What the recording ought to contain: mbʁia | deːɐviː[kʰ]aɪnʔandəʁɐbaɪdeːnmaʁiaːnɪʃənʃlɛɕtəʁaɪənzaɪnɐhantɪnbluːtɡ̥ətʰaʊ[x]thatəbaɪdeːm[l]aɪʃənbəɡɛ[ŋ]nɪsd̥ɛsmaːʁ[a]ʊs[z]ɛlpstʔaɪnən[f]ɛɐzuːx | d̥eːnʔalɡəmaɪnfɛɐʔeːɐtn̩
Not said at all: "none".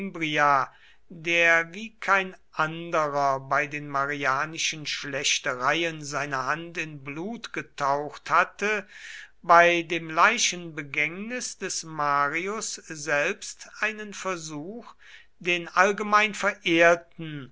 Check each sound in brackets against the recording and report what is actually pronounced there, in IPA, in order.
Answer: kʰ, x, l, ŋ, i, z, f

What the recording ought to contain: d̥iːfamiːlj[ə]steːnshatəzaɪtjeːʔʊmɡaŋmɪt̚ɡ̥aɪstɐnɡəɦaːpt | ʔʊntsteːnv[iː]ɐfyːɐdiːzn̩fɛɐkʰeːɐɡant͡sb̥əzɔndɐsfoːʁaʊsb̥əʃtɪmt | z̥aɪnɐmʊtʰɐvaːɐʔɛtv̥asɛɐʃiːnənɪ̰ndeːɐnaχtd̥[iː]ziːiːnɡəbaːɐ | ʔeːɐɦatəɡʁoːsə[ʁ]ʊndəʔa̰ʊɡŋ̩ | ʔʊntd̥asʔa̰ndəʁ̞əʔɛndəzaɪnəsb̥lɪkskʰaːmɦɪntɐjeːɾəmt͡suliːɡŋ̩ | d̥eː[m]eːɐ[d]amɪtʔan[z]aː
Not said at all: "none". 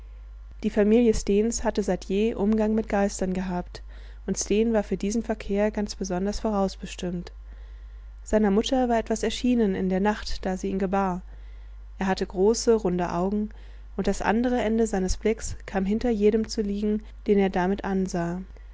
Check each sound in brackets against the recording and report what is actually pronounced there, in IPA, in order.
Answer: ə, aː, aː, ʁ, n, d, z

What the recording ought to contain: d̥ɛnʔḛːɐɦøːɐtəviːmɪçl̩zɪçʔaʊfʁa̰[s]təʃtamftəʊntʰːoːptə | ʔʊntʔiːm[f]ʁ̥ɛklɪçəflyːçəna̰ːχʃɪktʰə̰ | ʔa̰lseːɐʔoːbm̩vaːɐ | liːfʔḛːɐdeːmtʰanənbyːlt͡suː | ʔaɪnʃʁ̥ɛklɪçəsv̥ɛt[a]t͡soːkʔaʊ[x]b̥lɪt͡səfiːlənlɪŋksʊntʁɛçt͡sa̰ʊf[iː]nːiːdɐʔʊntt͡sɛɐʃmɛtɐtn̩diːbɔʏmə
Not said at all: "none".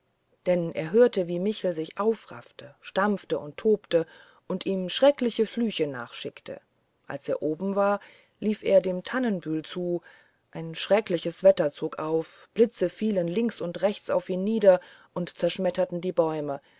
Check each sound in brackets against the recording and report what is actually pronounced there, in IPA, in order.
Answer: f, ʃ, ɐ, f, iː

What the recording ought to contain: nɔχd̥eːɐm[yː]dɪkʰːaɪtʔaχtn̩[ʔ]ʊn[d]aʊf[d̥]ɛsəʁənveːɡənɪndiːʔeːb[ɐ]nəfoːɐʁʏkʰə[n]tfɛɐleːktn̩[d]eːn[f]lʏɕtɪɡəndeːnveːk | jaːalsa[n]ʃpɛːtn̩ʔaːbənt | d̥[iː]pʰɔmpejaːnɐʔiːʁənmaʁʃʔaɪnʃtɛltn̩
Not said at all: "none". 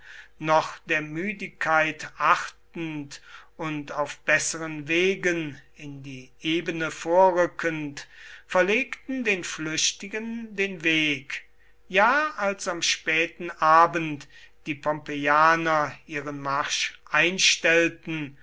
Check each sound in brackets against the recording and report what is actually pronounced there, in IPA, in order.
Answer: yː, t, t, b̥, ə, n, d, f, m, iː

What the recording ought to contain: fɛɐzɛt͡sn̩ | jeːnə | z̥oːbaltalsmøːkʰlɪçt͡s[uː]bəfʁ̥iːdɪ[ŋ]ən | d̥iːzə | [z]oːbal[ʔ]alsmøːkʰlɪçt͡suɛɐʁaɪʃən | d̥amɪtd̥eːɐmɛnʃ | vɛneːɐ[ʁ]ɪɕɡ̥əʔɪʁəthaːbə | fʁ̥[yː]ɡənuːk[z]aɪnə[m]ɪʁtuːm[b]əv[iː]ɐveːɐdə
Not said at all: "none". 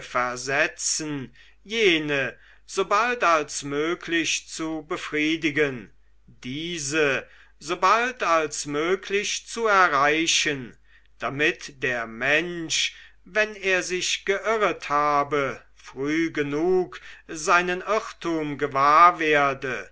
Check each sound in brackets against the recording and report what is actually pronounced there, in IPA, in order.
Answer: u, ɡ, z, t, z, yː, z, n, ɡ, aː

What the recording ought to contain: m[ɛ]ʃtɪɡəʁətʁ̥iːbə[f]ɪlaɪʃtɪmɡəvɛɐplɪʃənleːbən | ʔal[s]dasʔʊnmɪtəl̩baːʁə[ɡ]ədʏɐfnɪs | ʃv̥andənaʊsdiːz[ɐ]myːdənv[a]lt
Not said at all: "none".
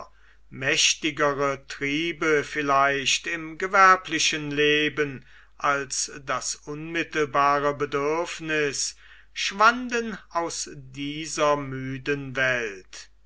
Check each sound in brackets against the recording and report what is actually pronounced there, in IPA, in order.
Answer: ɛ, f, s, b, ɐ, ɛ

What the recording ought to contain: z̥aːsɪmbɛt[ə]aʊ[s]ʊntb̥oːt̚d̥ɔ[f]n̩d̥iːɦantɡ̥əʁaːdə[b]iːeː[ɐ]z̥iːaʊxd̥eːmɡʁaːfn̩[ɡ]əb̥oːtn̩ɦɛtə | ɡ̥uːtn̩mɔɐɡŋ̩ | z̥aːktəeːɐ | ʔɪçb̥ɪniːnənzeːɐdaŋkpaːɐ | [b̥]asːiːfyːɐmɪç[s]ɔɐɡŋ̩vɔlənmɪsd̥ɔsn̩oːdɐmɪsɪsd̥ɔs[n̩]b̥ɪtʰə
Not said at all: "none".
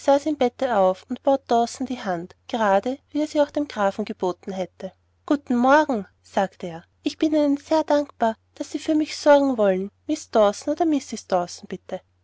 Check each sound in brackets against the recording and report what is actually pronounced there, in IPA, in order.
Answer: ə, f, s, v, ɐ, ɡ, d̥, s, n̩

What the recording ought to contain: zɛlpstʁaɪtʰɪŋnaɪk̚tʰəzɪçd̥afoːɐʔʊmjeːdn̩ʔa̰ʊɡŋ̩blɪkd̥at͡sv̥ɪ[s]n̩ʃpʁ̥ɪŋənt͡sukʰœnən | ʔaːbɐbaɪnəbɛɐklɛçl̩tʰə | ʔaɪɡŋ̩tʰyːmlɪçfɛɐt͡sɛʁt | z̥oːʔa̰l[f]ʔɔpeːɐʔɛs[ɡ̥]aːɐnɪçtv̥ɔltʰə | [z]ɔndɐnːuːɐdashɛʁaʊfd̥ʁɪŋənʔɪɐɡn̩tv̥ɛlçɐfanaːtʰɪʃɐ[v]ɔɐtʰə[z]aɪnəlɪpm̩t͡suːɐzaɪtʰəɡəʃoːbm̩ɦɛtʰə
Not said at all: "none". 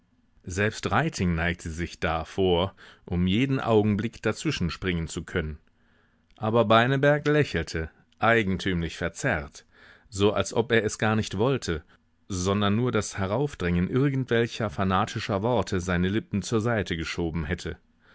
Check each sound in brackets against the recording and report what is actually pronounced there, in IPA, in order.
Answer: ʃ, s, ɡ̥, z, v, z

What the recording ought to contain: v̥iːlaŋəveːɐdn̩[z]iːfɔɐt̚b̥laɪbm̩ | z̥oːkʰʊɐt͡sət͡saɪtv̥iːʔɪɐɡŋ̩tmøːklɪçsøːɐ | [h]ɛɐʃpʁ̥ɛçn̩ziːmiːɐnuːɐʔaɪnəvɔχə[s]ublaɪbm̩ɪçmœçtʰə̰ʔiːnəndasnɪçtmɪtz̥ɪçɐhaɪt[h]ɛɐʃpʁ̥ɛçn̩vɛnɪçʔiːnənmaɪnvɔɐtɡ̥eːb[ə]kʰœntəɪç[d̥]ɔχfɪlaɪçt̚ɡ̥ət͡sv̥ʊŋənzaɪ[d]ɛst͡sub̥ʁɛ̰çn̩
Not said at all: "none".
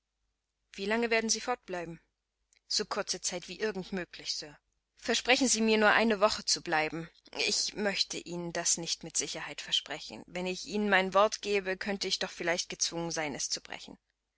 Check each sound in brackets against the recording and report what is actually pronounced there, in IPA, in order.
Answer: z, f, t͡s, f, ə, d̥, n

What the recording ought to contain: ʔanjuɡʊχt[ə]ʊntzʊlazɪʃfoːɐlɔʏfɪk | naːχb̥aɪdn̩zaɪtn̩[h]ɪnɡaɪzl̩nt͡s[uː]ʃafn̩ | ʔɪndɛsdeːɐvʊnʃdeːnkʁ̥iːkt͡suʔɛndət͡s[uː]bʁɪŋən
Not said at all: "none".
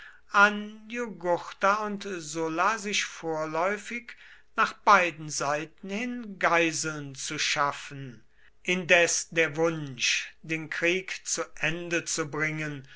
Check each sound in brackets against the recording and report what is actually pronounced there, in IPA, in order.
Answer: a, h, u, u

